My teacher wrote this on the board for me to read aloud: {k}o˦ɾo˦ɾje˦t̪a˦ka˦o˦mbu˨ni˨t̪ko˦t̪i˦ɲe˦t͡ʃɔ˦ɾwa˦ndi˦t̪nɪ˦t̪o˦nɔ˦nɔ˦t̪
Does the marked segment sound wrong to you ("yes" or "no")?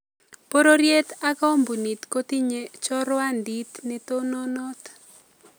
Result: yes